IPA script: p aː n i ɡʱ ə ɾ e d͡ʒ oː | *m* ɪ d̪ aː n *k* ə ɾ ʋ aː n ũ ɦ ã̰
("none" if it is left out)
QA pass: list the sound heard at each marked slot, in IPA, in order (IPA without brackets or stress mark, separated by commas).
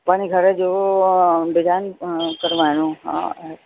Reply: b, k